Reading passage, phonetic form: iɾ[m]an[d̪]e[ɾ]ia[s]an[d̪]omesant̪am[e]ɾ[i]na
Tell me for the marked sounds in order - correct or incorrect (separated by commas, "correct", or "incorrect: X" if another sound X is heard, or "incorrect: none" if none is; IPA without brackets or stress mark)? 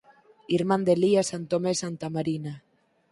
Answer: correct, correct, incorrect: l, correct, incorrect: t̪, incorrect: a, correct